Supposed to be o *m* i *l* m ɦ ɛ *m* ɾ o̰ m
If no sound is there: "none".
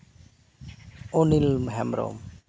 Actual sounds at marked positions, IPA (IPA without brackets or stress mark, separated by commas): n, l, m